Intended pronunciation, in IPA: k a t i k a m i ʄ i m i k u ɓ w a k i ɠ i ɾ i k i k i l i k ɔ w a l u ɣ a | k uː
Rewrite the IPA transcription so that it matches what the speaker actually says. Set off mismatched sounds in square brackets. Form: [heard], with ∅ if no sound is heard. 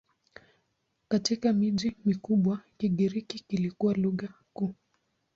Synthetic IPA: k a t i k a m i ʄ i m i k u ɓ w a k i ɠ i ɾ i k i k i l i k [u] w a l u ɣ a | k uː